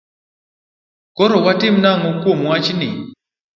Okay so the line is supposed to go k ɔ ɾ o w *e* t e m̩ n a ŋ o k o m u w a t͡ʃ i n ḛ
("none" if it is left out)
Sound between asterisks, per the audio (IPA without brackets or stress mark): a